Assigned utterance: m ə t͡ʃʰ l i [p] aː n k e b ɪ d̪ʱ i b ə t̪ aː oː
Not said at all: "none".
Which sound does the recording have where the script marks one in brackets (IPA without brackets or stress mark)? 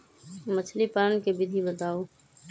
p